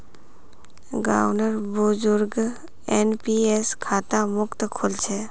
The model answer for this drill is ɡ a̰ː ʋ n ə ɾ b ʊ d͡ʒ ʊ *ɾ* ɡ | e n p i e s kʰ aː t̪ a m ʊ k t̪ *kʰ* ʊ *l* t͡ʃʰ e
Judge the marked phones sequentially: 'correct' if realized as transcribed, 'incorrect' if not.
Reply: correct, correct, correct

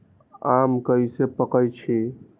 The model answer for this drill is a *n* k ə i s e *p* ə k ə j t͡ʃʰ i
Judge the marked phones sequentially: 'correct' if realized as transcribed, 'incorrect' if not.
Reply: incorrect, correct

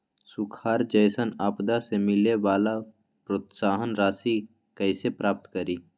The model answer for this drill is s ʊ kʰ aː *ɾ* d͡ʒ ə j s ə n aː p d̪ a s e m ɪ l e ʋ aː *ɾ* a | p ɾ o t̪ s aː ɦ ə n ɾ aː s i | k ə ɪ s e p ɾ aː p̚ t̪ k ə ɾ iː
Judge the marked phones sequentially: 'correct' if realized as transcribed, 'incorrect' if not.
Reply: correct, incorrect

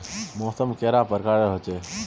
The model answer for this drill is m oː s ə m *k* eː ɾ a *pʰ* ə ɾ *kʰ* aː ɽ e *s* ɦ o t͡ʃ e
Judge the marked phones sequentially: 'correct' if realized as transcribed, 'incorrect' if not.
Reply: correct, incorrect, incorrect, incorrect

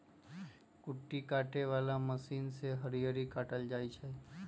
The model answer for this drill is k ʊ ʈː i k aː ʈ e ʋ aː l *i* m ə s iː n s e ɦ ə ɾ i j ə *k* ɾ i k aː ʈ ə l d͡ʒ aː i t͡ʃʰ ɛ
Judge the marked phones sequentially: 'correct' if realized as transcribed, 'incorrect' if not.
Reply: incorrect, incorrect

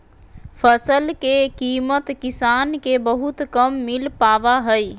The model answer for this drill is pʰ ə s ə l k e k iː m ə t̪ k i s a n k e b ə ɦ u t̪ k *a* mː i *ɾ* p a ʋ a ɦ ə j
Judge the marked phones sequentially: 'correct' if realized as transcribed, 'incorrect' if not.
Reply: incorrect, incorrect

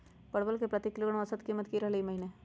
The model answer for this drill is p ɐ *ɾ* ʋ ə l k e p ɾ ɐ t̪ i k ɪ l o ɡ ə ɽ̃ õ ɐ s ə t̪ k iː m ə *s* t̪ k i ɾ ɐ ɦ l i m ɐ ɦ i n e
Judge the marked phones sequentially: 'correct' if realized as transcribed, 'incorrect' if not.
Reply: incorrect, incorrect

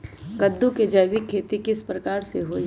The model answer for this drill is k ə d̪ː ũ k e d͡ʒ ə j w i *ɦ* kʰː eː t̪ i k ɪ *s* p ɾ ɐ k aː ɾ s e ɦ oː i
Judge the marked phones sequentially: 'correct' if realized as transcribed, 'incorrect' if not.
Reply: incorrect, correct

